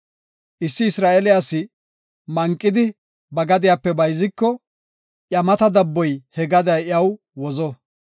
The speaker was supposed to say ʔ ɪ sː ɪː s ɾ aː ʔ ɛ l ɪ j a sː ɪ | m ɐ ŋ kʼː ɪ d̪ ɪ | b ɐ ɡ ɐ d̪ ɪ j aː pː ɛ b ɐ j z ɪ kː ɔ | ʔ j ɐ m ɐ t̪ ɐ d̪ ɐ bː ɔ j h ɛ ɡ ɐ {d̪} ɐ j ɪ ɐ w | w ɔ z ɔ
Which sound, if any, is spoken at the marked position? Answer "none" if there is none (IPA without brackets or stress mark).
d̪